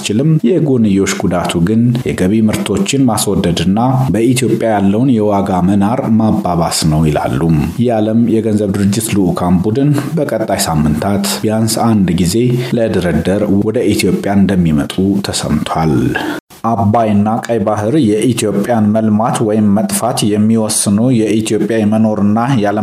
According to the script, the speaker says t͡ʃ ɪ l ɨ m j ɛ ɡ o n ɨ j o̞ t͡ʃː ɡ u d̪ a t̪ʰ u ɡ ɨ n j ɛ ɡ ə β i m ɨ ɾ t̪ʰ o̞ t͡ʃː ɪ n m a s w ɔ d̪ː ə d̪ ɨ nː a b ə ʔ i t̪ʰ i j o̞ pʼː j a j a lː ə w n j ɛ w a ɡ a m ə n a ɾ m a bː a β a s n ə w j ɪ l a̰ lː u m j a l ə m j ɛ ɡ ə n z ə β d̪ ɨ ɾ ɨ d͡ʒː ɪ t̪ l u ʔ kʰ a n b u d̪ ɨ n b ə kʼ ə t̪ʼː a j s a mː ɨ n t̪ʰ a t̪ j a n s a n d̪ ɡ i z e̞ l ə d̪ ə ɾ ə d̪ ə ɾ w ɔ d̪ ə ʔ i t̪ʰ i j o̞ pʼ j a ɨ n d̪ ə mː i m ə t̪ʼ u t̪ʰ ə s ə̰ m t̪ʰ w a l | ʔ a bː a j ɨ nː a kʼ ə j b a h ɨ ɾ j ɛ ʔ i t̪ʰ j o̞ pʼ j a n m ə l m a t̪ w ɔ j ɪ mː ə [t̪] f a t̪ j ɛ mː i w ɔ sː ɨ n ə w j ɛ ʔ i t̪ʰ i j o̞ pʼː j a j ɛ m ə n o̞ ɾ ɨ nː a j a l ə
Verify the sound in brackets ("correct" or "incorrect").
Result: incorrect